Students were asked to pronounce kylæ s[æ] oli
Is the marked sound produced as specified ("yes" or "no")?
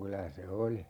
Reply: no